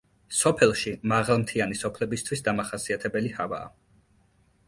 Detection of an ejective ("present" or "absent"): absent